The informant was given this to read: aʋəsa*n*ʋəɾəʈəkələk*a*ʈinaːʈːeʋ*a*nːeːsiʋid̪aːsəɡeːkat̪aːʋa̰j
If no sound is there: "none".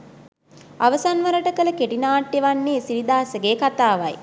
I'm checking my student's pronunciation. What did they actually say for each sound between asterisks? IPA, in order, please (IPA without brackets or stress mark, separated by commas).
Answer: n, e, a